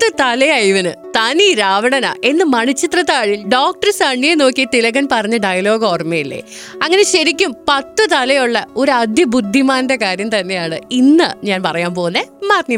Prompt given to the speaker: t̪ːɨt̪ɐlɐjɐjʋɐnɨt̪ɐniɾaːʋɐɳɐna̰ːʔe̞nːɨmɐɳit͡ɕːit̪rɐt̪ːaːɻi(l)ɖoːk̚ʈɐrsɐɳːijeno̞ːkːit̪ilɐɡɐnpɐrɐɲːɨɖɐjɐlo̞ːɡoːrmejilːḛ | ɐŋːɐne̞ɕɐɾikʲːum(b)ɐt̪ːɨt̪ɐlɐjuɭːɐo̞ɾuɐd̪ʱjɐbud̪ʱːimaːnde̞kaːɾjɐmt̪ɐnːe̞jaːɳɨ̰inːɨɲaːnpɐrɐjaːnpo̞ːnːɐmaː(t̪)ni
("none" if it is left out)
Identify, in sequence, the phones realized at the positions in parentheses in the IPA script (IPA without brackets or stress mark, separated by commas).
l, p, t̪